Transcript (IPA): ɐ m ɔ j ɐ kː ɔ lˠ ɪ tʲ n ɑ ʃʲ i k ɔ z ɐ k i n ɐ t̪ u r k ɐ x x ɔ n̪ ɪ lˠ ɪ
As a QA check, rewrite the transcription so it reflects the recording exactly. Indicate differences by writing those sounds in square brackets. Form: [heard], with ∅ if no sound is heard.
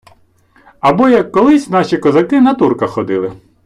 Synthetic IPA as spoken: ɐ [b] ɔ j ɐ kː ɔ lˠ ɪ [sʲ] n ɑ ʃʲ i k ɔ z ɐ k [ɪ] n ɐ t̪ u r k ɐ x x ɔ [d̪] ɪ lˠ ɪ